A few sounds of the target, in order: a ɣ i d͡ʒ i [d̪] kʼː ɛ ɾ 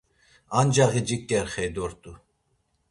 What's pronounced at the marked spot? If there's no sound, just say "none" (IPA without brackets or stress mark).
none